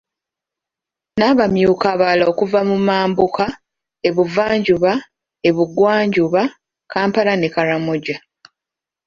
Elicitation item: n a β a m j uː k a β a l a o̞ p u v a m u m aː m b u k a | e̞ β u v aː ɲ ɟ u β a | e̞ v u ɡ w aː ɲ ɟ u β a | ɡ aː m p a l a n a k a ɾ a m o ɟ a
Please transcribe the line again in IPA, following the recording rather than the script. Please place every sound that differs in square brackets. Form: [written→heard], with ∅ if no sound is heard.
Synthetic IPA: n a β a m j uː k a β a l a o̞ [p→k] u v a m u m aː m b u k a | e̞ β u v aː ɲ ɟ u β a | e̞ [v→β] u ɡ w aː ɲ ɟ u β a | [ɡ→k] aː m p a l a n [a→e] k a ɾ a m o ɟ a